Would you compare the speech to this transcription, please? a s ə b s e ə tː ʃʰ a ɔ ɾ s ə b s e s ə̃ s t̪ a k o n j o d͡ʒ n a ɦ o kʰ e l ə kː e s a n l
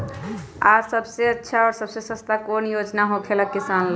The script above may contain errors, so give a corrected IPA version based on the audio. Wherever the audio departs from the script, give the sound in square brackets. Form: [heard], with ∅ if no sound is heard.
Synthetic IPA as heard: a s ə b s e ə tː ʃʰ a ɔ ɾ s ə b s e s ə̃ s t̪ a k o n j o d͡ʒ n a ɦ o kʰ e l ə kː [i] s a n l